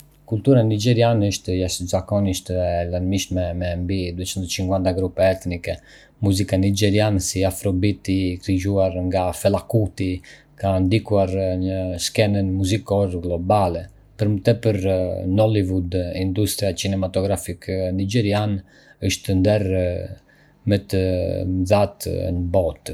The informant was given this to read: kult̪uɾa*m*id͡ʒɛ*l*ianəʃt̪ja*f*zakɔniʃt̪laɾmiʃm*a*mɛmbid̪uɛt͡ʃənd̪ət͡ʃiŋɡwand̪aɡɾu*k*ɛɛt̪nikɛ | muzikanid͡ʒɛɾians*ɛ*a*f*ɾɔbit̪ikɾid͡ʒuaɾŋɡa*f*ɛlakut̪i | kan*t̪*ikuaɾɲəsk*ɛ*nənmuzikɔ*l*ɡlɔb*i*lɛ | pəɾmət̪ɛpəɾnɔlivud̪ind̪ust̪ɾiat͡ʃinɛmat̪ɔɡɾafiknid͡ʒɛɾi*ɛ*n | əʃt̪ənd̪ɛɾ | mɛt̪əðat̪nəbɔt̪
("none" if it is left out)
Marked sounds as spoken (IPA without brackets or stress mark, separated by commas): n, ɾ, ʃ, ɛ, p, i, f, f, d̪, ɛ, ɾ, a, a